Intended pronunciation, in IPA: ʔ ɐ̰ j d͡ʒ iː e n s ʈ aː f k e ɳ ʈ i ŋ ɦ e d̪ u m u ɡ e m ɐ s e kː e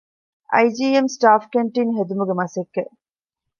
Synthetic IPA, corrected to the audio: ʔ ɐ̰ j d͡ʒ iː e m s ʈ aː f k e ɳ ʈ i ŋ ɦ e d̪ u m u ɡ e m ɐ s e kː e